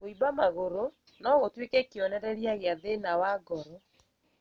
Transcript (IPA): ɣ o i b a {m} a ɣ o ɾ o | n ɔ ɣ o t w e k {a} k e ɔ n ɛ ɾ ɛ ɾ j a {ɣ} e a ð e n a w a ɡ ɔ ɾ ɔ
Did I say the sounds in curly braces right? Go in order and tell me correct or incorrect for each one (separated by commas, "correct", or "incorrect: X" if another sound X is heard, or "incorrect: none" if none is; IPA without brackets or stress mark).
correct, incorrect: ɛ, correct